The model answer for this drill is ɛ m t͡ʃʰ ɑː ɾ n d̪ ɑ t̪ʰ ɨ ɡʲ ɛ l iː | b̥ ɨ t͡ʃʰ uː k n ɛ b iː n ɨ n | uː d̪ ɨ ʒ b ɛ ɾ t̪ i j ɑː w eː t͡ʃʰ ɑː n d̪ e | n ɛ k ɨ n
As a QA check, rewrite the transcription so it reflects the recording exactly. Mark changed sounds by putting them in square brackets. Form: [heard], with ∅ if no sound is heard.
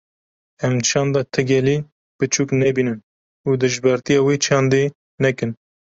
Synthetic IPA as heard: ɛ m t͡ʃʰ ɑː [∅] n d̪ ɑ t̪ʰ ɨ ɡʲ ɛ l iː | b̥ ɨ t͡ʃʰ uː k n ɛ b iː n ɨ n | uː d̪ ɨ ʒ b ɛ ɾ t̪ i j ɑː w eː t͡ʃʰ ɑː n d̪ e | n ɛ k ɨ n